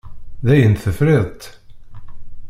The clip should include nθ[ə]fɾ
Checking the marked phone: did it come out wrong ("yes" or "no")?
no